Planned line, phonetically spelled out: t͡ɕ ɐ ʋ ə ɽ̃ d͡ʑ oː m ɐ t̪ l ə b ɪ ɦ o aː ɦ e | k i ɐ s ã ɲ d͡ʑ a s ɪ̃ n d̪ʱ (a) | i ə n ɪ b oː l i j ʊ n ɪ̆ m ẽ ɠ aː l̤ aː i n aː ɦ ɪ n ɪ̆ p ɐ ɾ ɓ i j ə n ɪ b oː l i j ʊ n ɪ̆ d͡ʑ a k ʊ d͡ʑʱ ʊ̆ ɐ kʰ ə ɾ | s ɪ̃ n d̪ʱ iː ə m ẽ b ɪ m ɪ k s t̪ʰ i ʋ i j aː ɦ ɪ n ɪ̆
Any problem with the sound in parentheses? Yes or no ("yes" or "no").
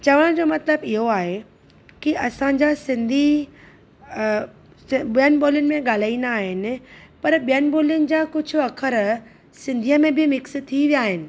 yes